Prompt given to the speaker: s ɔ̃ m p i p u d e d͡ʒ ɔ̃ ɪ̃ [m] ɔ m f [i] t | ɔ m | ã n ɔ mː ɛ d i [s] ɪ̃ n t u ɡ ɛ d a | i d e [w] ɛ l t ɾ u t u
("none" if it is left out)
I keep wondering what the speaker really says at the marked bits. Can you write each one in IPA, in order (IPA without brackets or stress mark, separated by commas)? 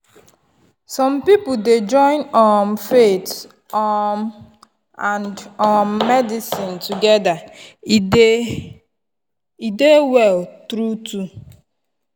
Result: n, e, s, w